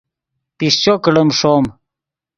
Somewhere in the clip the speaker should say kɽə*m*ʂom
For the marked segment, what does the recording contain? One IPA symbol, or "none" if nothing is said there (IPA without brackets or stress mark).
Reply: m